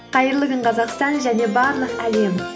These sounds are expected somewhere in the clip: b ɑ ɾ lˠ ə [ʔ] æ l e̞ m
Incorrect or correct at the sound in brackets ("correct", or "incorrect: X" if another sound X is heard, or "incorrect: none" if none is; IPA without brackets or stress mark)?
incorrect: q